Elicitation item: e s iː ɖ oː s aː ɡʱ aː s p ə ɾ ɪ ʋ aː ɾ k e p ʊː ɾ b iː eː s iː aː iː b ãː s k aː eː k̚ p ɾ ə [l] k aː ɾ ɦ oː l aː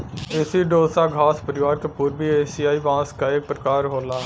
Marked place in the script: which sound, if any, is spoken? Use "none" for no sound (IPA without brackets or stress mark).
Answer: none